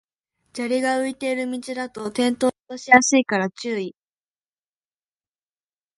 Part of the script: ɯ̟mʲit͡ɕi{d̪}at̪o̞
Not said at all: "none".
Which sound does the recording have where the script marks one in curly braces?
d̪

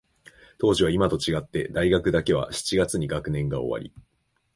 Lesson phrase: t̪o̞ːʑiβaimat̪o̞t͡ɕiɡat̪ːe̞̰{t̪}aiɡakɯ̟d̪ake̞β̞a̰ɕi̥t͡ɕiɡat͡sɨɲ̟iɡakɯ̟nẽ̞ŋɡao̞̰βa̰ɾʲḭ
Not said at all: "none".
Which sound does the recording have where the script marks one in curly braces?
d̪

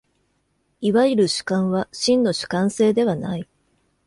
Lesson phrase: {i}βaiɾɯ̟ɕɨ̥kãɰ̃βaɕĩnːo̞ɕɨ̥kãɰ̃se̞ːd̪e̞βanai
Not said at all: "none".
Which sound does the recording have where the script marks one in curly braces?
i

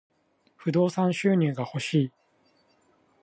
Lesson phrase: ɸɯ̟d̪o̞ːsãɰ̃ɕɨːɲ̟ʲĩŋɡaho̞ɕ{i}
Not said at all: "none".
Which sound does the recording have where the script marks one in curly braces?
iː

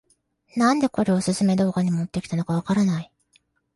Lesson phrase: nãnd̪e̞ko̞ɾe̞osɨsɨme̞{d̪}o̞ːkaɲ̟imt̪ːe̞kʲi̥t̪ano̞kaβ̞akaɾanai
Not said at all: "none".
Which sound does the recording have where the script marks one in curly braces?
d̪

